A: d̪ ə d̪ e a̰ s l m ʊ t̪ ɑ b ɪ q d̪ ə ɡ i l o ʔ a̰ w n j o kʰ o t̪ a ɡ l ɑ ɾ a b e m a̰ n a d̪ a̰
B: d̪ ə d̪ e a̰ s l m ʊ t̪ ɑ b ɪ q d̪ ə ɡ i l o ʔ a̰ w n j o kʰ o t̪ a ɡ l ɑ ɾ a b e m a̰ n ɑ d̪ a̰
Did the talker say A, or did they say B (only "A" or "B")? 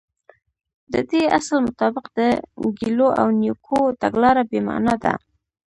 B